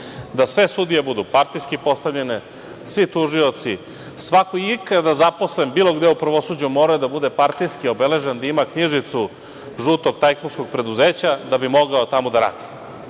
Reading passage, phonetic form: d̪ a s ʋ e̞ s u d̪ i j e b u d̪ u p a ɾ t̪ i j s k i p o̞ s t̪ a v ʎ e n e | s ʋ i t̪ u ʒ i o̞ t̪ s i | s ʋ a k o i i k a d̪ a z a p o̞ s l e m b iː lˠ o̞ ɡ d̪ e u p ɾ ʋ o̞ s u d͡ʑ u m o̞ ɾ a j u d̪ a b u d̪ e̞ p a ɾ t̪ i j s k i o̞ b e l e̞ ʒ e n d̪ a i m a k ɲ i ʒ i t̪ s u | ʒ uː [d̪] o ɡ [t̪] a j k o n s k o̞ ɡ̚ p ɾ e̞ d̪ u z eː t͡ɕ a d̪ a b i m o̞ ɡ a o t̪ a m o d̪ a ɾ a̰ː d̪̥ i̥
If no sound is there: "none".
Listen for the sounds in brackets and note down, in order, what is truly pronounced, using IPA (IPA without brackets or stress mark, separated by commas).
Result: t̪, t̪